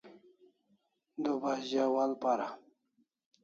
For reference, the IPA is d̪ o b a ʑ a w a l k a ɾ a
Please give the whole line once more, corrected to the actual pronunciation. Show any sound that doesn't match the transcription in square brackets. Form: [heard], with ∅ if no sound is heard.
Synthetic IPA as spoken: d̪ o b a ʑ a w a l [p] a ɾ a